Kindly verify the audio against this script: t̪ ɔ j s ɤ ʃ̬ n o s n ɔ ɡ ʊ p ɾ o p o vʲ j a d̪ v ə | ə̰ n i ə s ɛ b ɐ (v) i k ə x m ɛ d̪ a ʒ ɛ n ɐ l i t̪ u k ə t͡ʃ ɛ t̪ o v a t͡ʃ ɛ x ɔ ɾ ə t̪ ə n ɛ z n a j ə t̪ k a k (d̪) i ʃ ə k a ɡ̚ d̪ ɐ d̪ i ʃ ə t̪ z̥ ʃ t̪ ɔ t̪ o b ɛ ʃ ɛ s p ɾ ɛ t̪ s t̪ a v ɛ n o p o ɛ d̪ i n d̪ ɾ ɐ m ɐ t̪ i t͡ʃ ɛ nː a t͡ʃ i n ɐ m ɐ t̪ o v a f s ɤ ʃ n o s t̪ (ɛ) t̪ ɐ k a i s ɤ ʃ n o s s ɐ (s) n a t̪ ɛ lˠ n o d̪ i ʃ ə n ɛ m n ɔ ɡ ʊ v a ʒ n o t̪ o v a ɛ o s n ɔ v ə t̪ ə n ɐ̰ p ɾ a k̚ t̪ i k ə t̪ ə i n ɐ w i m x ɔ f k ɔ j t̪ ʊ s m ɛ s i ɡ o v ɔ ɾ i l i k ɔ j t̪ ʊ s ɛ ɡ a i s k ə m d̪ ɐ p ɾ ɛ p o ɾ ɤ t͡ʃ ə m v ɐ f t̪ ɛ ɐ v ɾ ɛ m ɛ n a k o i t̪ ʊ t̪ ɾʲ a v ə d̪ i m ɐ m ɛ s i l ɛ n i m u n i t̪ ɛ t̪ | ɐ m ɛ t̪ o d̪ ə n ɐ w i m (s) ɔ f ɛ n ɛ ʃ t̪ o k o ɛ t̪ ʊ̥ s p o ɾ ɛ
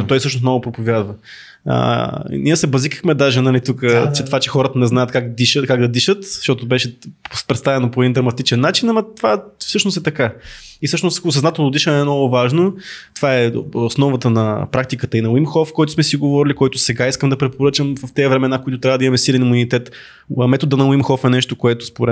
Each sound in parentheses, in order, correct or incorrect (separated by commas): incorrect, correct, correct, incorrect, incorrect